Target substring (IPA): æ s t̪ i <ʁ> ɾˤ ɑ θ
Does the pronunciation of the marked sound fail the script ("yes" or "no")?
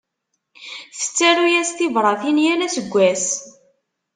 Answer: yes